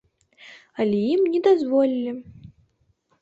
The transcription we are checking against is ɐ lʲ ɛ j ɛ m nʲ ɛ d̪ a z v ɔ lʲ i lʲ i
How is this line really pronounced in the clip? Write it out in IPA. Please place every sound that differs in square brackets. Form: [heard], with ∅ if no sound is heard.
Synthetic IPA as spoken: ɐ lʲ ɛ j [i] m nʲ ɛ d̪ a z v ɔ lʲ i lʲ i